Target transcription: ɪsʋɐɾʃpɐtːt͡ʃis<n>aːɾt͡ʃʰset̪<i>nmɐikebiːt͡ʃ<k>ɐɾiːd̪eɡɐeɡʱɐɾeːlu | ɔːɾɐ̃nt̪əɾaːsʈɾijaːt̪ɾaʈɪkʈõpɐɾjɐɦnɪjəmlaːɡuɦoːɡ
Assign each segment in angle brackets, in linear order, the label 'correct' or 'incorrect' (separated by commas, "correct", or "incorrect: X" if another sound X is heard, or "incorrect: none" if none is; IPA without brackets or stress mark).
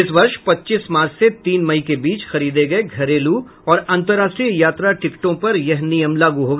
incorrect: m, incorrect: iː, incorrect: x